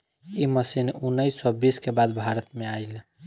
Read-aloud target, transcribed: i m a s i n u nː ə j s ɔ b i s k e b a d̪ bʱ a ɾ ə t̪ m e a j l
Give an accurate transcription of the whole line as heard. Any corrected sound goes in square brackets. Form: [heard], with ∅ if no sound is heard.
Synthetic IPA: i m [ə] s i n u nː ə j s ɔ b i s k e b a d̪ bʱ a ɾ ə t̪ m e a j l